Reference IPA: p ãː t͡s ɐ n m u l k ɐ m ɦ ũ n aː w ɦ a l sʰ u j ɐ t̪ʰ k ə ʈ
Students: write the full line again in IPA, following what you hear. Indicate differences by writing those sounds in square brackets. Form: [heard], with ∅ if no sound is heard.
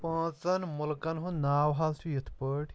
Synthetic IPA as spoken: p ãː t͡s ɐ n m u l k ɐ [n] ɦ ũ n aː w ɦ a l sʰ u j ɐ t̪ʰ [p] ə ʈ